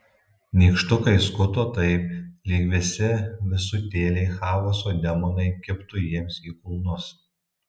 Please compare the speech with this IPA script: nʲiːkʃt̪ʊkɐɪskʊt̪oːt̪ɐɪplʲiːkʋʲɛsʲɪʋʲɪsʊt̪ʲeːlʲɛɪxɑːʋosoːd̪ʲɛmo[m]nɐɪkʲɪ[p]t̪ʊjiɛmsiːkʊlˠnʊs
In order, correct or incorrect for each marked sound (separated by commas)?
incorrect, correct